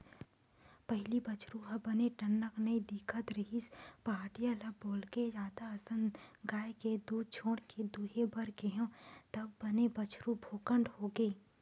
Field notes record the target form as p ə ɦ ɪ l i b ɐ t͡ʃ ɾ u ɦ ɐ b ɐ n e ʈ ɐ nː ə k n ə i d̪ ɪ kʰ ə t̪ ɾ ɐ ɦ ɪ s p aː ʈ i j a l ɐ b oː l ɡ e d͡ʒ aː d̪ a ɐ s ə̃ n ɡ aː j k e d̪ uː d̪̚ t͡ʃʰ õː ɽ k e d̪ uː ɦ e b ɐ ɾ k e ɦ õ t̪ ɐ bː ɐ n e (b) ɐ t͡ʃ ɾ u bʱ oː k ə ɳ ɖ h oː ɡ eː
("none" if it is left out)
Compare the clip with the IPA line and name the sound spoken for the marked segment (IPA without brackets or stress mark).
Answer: b